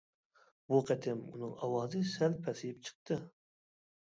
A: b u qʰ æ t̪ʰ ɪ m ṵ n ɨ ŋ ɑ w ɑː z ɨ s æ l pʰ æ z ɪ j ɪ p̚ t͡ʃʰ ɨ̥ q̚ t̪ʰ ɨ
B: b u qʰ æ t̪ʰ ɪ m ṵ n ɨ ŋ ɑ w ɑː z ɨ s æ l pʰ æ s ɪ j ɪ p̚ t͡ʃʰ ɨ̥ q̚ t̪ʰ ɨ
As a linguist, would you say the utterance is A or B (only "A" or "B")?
B